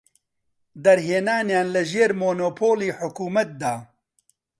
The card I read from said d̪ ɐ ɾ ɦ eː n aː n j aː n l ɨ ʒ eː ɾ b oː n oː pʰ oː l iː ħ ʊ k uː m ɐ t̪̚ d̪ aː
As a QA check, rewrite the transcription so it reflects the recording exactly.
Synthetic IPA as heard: d̪ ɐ ɾ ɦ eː n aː n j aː n l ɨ ʒ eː ɾ m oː n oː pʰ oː l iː ħ ʊ k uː m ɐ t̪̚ d̪ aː

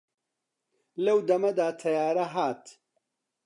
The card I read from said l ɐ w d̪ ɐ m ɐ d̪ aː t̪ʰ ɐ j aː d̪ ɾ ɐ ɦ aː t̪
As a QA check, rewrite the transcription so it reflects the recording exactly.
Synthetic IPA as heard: l ɐ w d̪ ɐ m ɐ d̪ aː t̪ʰ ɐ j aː ɾ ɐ ɦ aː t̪

